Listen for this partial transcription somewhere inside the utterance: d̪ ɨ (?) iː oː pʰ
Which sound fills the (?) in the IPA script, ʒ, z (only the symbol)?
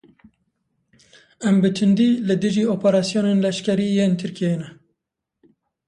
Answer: ʒ